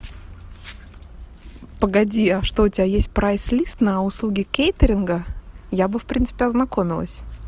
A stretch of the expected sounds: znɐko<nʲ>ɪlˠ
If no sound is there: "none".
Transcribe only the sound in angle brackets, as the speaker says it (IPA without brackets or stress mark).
mʲ